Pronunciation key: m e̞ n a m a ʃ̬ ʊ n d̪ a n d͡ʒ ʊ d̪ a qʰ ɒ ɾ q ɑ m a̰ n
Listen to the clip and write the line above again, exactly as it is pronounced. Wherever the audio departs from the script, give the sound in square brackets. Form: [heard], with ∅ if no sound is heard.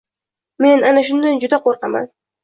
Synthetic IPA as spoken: m e̞ n a [n] a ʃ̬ ʊ n d̪ a n d͡ʒ ʊ d̪ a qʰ [o] ɾ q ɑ m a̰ n